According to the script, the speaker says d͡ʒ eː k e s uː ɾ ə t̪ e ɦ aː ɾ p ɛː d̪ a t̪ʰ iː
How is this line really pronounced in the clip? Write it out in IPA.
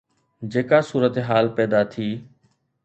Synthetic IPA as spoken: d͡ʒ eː k a s uː ɾ ə t̪ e ɦ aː l p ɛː d̪ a t̪ʰ iː